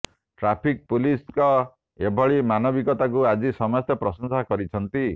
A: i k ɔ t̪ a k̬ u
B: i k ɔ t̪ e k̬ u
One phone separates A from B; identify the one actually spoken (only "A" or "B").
A